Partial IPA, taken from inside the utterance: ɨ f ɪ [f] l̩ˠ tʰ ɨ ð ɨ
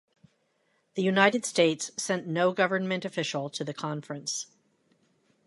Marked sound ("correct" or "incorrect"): incorrect